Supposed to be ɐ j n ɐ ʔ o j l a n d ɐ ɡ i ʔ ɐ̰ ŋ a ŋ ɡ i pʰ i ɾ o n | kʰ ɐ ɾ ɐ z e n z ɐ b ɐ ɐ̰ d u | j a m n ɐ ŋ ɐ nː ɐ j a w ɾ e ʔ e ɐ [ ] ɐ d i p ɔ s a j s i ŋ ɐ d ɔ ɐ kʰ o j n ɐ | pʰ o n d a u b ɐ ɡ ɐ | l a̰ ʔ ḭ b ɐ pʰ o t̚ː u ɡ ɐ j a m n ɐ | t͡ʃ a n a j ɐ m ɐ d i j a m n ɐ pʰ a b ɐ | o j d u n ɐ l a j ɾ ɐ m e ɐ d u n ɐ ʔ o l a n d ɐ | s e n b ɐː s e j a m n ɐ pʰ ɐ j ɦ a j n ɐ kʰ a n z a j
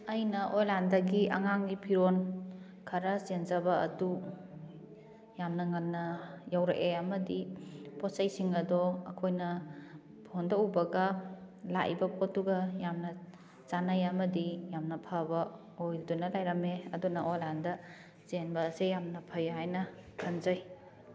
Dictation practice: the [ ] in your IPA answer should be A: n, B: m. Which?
B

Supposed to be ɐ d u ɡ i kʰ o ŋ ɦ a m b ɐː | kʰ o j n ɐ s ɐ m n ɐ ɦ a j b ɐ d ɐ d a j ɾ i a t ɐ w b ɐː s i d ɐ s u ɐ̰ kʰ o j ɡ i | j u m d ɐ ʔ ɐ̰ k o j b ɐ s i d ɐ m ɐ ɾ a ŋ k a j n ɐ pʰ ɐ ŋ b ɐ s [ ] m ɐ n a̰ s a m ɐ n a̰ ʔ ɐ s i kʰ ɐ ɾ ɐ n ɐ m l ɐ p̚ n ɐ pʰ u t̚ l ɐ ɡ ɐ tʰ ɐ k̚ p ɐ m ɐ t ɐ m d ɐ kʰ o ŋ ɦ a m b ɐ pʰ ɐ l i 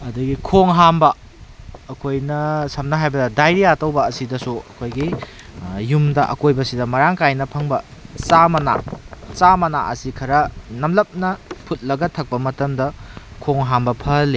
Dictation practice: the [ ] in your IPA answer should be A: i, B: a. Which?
B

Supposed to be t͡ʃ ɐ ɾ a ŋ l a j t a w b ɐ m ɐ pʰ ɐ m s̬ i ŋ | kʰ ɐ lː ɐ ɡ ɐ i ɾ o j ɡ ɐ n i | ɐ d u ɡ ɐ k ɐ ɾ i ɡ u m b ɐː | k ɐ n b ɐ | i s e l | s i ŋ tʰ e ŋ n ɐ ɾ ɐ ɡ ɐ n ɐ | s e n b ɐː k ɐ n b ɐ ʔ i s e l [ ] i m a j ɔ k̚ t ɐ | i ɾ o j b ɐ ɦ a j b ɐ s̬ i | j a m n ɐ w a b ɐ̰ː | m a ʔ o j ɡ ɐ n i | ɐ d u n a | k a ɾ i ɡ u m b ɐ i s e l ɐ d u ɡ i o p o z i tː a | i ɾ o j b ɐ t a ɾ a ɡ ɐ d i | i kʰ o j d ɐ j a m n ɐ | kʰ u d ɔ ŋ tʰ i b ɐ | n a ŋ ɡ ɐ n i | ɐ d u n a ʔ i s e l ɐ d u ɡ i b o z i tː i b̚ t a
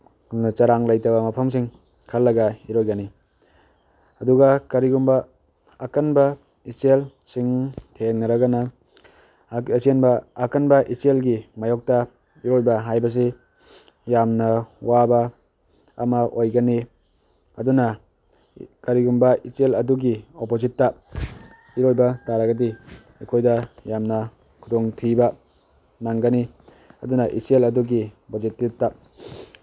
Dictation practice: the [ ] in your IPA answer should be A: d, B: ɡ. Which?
B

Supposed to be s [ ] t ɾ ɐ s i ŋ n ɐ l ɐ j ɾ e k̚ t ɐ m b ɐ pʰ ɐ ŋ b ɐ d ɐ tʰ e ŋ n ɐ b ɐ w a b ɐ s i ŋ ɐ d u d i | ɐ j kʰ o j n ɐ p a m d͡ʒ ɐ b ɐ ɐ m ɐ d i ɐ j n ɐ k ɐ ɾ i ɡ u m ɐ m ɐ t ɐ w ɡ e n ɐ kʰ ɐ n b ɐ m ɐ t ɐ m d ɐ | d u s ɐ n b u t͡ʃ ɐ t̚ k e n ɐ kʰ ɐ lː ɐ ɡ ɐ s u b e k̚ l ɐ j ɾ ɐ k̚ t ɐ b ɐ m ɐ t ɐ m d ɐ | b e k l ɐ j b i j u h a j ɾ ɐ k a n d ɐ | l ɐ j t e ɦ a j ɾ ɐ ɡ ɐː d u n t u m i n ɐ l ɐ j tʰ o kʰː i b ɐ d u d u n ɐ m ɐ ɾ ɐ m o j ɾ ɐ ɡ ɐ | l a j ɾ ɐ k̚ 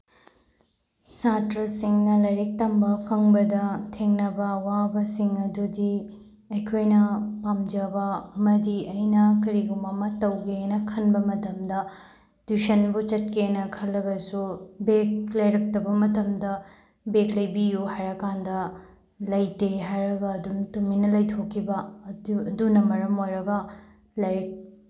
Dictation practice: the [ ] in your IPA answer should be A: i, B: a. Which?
B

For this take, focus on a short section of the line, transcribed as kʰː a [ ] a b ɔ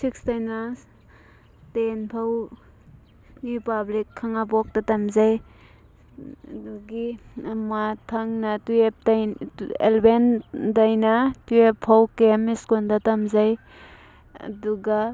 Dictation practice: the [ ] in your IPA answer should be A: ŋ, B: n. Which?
A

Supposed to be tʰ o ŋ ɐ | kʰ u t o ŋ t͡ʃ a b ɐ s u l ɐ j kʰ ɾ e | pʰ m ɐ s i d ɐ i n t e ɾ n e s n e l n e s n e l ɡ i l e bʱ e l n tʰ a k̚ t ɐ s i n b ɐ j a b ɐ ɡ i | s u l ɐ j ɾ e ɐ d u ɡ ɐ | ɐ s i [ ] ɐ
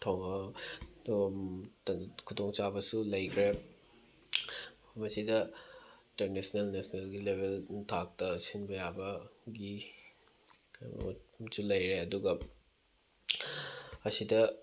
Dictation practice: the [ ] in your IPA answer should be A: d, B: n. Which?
A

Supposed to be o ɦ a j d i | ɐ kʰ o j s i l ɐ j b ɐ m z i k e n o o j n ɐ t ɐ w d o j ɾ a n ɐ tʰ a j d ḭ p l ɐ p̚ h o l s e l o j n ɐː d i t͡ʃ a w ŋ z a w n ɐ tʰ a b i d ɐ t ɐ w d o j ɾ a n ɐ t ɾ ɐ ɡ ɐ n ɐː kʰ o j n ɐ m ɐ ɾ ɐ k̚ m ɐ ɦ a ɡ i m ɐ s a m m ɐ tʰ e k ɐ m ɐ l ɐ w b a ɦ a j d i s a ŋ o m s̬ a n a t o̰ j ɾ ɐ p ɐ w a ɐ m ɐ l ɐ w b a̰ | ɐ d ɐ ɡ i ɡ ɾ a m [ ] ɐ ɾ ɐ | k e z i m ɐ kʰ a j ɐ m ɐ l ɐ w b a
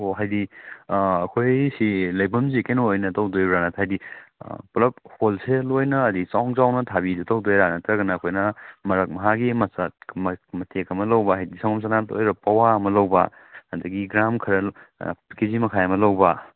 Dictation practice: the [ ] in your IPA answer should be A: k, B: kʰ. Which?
B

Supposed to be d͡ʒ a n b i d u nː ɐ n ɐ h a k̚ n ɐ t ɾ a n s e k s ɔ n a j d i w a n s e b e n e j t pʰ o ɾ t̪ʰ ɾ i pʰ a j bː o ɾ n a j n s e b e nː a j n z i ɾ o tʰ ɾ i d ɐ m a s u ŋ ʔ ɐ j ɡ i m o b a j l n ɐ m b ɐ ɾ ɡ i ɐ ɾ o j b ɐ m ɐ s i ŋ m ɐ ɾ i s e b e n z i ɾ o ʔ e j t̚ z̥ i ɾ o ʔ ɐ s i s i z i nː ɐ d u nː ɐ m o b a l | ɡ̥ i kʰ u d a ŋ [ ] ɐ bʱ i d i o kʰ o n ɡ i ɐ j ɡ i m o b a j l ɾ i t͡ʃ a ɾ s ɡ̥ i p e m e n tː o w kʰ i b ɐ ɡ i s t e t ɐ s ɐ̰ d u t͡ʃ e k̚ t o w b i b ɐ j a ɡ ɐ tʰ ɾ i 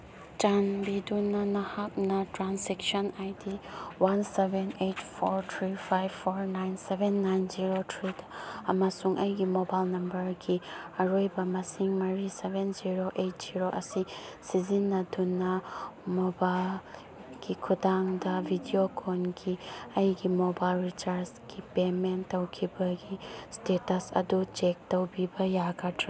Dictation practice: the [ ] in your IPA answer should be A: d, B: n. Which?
A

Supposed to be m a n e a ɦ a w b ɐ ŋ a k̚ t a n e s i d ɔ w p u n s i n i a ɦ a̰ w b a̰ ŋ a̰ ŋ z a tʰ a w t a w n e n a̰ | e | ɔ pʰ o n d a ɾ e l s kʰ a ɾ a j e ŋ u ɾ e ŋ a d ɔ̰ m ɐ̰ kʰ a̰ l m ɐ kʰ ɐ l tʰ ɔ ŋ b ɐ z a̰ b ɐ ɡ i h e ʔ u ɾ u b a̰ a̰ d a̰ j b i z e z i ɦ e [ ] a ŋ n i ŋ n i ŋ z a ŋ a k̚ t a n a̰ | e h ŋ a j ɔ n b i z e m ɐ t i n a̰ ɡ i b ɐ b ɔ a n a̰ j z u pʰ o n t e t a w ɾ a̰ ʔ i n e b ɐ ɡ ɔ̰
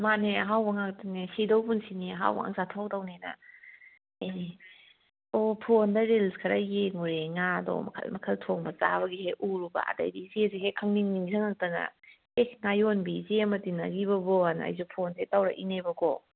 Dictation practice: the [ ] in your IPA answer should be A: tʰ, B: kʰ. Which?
B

